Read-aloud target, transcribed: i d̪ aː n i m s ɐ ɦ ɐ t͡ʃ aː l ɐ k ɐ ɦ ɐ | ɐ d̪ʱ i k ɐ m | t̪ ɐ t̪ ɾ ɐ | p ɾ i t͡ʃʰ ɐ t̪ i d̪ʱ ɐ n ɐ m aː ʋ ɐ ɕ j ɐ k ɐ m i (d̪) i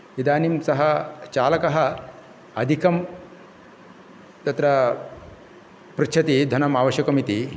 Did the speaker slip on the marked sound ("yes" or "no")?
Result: yes